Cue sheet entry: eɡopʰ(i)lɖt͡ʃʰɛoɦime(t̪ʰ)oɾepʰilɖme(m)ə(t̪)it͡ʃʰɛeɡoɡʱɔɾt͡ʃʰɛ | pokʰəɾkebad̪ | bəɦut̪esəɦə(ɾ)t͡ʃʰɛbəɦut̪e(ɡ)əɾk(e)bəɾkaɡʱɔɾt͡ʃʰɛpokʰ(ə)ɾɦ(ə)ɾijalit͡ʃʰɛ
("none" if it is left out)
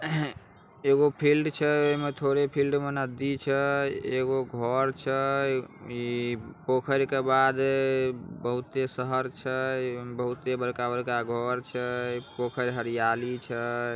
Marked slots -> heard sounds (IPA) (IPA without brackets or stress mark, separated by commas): i, t̪ʰ, n, d̪, ɾ, b, a, ə, ə